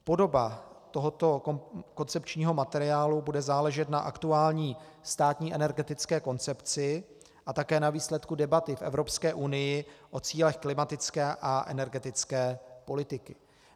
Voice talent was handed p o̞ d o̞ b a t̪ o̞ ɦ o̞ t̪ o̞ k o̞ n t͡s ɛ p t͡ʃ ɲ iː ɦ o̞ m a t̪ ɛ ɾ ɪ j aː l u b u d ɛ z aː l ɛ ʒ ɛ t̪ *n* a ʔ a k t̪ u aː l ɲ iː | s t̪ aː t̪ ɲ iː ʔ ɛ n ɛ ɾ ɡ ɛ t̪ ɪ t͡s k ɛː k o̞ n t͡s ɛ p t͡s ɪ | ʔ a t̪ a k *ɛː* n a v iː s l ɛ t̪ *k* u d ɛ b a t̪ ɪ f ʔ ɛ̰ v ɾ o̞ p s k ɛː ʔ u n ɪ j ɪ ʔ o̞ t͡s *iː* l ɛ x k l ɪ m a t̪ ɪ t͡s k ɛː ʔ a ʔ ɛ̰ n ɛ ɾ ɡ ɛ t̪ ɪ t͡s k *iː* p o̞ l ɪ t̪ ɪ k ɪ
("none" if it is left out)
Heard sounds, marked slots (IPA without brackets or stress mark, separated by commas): n, ɛː, k, iː, ɛː